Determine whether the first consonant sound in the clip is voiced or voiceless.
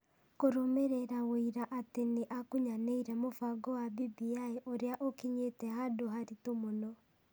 voiceless